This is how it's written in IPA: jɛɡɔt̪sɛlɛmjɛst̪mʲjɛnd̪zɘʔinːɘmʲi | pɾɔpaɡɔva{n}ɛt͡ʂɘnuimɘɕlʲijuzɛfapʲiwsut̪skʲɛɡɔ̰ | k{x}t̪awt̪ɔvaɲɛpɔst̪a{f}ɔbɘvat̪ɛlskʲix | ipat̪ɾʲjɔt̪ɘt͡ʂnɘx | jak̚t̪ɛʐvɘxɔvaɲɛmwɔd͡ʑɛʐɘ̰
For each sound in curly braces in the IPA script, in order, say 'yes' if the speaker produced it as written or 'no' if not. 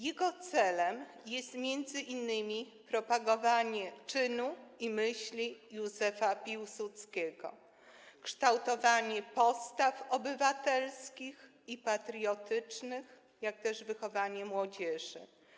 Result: no, no, yes

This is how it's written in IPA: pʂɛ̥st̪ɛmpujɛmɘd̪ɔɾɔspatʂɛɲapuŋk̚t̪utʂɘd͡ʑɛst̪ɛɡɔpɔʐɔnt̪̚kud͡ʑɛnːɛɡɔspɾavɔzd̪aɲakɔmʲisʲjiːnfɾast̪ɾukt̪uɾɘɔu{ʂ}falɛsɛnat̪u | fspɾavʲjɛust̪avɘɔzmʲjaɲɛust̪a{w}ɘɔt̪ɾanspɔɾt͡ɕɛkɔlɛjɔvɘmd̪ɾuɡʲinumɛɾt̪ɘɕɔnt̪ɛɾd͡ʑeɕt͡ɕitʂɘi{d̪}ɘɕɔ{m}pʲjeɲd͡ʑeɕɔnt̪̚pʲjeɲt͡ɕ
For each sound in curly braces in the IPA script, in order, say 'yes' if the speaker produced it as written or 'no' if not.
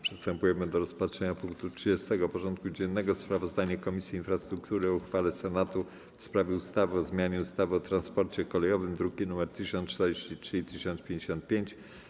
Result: no, no, no, no

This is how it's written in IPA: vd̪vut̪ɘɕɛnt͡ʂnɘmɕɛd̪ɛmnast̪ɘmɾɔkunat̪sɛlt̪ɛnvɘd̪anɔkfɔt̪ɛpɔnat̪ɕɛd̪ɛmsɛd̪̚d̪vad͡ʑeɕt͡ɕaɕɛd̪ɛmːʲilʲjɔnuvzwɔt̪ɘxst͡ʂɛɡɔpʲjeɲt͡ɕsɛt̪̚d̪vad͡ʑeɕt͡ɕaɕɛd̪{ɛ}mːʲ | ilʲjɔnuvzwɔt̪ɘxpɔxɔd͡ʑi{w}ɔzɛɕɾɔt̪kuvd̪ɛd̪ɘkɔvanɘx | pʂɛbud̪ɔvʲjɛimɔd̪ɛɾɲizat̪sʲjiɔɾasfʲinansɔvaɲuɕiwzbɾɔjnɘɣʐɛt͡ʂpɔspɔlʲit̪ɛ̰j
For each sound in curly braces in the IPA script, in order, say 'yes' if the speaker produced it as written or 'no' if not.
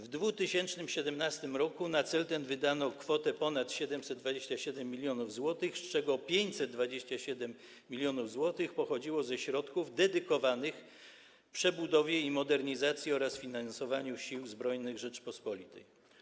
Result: yes, yes

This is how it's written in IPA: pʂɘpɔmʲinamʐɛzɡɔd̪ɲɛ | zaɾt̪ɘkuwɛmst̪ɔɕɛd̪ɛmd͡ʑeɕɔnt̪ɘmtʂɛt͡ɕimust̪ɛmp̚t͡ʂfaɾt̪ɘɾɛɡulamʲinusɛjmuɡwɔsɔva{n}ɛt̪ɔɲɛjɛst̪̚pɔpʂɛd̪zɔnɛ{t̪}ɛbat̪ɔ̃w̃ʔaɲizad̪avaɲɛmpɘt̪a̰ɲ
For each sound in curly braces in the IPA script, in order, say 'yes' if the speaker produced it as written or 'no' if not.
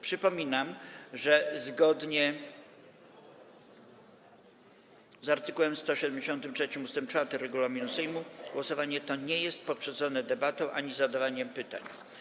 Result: no, no

